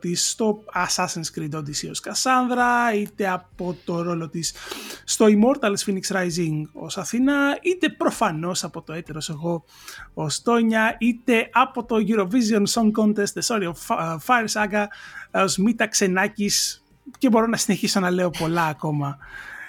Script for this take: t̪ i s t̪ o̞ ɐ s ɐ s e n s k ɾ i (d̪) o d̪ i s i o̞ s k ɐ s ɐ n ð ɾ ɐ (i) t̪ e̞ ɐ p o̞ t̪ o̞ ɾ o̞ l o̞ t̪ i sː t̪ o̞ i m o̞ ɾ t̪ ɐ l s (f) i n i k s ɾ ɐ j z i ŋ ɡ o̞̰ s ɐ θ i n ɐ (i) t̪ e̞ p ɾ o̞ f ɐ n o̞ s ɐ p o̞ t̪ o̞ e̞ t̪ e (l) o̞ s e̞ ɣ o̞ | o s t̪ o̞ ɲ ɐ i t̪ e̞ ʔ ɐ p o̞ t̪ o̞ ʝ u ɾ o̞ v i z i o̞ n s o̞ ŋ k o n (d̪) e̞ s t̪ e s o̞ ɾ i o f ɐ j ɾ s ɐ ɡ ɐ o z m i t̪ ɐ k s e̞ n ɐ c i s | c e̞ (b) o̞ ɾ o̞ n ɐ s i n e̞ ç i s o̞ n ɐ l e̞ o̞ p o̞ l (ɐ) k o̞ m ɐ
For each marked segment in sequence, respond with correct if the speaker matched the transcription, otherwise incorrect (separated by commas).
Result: correct, correct, correct, correct, incorrect, incorrect, correct, incorrect